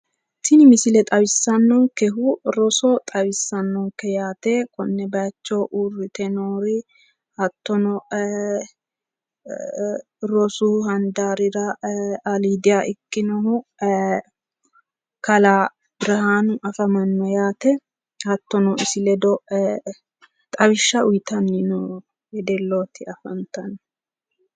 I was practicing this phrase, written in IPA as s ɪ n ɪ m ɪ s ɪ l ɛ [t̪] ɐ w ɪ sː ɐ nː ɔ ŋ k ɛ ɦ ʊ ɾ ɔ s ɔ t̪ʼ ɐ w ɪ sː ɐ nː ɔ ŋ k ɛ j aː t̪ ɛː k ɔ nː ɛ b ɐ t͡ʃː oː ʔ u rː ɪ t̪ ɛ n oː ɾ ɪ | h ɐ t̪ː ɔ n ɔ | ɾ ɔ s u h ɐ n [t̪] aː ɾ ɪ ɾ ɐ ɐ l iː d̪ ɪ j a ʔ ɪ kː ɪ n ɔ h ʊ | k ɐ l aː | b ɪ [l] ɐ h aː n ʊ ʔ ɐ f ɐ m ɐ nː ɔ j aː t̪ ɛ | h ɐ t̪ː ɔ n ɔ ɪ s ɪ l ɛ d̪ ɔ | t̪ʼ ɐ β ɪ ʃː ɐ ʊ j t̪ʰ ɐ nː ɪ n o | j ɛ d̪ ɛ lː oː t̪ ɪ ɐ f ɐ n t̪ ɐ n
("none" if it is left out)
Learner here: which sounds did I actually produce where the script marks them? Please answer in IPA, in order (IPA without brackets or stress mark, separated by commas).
t̪ʼ, d̪, ɾ